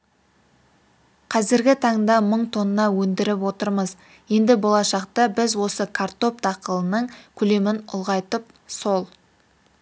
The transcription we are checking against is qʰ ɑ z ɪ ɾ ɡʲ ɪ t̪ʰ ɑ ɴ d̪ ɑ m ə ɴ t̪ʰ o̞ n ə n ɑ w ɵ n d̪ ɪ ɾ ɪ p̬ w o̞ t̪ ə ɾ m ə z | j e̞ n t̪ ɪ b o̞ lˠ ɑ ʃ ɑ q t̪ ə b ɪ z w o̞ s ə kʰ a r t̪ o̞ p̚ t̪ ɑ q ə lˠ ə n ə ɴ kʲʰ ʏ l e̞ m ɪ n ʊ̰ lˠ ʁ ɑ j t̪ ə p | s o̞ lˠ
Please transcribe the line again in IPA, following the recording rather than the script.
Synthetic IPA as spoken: qʰ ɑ z ɪ ɾ ɡʲ ɪ t̪ʰ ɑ ɴ d̪ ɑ m ə ɴ t̪ʰ o̞ n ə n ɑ w ɵ n d̪ ɪ ɾ ɪ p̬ w o̞ t̪ ə ɾ m ə z | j e̞ n d̪ ɪ b o̞ lˠ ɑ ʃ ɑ q t̪ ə b ɪ z w o̞ s ə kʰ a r t̪ o̞ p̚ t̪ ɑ q ə lˠ ə n ə ɴ kʲʰ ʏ l e̞ m ɪ n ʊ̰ lˠ ʁ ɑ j t̪ ə p | s o̞ lˠ